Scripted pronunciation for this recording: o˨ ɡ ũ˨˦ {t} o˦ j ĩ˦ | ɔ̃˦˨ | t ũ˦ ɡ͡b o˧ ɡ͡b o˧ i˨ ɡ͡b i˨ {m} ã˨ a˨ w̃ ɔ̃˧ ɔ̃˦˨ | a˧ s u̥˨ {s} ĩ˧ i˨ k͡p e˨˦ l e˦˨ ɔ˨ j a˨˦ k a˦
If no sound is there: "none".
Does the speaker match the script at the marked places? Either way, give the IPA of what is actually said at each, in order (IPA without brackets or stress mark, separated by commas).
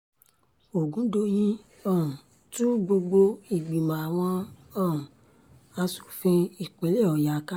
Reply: d, m, f